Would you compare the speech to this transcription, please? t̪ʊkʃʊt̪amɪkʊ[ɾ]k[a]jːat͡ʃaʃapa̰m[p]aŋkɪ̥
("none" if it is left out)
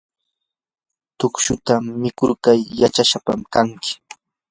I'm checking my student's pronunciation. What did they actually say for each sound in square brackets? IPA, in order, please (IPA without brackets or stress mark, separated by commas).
ɾ, a, k